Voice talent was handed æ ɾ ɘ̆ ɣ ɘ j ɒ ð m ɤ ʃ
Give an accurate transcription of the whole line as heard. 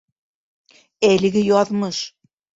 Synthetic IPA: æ l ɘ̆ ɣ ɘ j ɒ ð m ɤ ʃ